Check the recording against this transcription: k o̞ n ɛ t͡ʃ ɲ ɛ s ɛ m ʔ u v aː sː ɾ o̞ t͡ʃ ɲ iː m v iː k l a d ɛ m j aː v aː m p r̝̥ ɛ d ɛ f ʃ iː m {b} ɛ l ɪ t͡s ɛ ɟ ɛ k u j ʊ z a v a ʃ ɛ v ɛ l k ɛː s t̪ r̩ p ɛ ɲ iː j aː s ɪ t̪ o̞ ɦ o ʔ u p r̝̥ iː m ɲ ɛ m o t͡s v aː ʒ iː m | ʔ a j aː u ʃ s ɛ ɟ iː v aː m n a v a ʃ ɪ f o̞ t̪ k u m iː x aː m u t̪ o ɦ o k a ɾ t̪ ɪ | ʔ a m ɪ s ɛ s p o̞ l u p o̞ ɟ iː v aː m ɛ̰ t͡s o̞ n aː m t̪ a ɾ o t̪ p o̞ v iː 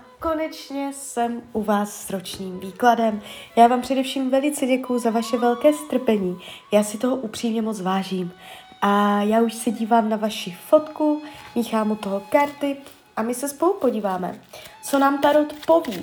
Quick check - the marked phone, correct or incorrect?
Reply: incorrect